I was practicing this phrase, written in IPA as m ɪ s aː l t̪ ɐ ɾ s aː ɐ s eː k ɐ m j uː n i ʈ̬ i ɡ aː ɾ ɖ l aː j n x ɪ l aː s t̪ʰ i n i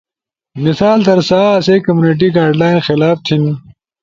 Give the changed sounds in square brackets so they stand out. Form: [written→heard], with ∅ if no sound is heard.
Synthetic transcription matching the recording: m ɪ s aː l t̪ ɐ ɾ s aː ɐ s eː k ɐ m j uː n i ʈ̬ i ɡ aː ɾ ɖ l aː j n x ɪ l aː [s→f] t̪ʰ i n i